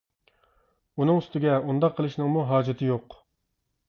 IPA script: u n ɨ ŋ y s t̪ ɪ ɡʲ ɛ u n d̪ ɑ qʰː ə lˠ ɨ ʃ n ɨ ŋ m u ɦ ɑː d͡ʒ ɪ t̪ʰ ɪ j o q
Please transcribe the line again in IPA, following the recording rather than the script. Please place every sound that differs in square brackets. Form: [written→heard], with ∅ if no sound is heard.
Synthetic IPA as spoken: u n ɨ ŋ y s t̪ ɪ ɡʲ ɛ u n d̪ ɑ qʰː ə lˠ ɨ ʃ n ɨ ŋ m u ɦ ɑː d͡ʒ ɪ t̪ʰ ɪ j o q